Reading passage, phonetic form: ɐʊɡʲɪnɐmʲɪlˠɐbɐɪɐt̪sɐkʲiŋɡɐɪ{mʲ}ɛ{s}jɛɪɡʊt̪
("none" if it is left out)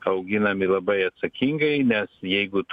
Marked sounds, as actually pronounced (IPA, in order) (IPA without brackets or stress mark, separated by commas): nʲ, s